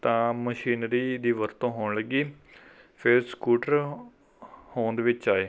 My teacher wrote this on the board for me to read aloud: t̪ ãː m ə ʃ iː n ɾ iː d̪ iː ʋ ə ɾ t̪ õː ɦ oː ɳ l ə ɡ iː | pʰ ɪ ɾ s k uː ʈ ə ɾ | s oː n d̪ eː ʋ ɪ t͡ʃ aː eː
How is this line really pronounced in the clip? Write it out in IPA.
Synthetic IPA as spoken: t̪ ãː m ə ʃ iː n ɾ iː d̪ iː ʋ ə ɾ t̪ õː ɦ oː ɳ l ə ɡ iː | pʰ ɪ ɾ s k uː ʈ ə ɾ | h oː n d̪ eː ʋ ɪ t͡ʃ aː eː